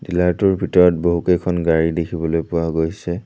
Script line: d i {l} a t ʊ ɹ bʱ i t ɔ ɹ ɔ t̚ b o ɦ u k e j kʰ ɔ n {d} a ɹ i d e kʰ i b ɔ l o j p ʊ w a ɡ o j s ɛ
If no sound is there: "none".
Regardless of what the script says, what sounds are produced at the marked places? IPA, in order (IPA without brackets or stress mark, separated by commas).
l, ɡ